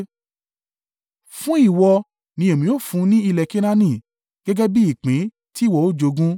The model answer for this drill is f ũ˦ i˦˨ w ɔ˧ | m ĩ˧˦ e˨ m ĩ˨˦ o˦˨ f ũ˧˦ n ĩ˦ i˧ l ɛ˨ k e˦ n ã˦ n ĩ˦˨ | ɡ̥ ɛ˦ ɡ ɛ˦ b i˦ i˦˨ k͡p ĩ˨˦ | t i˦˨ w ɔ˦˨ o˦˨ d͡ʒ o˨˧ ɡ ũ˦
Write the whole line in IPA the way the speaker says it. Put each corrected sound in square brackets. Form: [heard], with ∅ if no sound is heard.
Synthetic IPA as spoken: f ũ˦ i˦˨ w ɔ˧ | [n] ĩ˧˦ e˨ m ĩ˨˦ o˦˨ f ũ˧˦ n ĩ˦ i˧ l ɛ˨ k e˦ n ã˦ n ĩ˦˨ | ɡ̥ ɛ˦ ɡ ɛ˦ b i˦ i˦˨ k͡p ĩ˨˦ | t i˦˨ w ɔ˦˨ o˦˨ d͡ʒ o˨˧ ɡ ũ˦